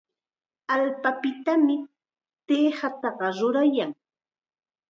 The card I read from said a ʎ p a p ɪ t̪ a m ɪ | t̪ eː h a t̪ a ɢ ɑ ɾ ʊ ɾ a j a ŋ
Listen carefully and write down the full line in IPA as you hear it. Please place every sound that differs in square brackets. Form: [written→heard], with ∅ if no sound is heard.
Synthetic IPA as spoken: a [ʎ→l] p a p ɪ t̪ a m ɪ | t̪ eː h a t̪ [a→ɑ] ɢ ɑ ɾ ʊ ɾ a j a ŋ